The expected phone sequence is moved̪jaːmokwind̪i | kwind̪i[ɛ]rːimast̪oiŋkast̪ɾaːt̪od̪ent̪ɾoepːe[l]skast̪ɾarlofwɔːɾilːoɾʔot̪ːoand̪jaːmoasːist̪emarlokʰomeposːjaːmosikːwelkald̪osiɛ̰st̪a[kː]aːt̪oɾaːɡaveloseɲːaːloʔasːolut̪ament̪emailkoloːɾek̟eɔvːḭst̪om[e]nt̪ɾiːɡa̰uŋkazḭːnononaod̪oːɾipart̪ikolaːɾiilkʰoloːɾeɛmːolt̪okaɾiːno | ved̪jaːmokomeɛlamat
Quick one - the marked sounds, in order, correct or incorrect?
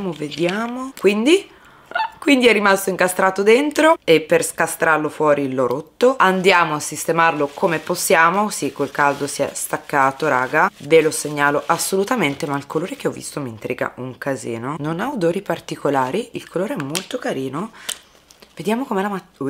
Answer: correct, incorrect, correct, incorrect

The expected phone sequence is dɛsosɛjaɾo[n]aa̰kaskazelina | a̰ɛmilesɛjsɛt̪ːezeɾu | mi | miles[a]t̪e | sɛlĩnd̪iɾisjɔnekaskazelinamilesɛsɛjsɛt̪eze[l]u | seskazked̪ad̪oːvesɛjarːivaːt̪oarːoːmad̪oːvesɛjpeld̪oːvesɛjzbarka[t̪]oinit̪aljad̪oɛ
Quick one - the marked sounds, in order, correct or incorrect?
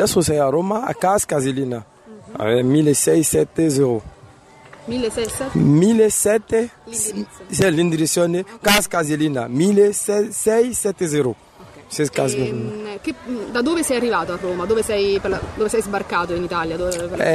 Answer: incorrect, incorrect, incorrect, correct

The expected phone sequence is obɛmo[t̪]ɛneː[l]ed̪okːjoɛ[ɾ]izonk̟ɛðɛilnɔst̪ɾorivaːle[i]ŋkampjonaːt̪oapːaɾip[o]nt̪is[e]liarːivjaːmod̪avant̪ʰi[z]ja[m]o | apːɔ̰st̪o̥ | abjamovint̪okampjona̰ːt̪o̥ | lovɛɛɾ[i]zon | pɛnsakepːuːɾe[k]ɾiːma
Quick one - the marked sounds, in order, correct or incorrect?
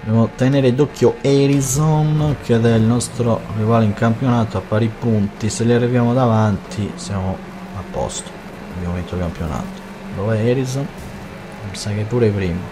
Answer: correct, incorrect, correct, correct, incorrect, correct, incorrect, correct, correct, incorrect

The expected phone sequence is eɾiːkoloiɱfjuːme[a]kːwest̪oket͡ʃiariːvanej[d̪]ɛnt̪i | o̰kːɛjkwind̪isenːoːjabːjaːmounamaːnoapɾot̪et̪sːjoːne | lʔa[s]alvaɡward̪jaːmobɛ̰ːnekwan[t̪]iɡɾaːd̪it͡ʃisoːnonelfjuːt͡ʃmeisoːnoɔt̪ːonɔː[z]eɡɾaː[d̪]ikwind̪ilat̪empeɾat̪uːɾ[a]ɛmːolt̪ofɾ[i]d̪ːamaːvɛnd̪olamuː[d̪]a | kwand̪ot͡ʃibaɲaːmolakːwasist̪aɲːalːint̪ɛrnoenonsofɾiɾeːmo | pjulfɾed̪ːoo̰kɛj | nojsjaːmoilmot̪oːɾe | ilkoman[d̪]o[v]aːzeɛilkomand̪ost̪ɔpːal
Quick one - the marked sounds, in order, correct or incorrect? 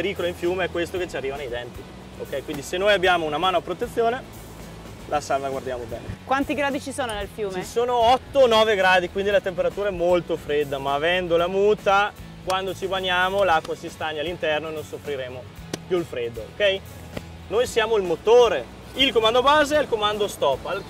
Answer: incorrect, correct, correct, correct, incorrect, correct, correct, incorrect, incorrect, correct, incorrect

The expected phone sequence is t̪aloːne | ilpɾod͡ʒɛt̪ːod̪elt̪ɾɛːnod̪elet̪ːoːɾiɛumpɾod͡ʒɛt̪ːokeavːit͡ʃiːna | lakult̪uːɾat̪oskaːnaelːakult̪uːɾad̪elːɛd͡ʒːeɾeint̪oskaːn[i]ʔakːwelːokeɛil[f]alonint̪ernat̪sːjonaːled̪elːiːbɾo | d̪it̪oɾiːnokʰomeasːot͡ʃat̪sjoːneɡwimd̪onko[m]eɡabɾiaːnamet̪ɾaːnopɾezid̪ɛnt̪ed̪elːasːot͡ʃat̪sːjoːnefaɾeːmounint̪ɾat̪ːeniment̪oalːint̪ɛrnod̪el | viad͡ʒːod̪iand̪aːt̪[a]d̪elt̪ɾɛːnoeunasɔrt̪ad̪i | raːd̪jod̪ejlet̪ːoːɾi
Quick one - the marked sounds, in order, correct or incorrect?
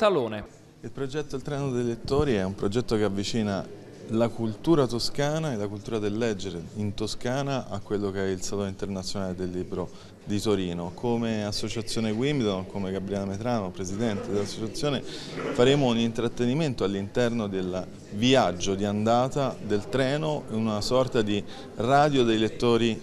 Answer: incorrect, incorrect, correct, correct

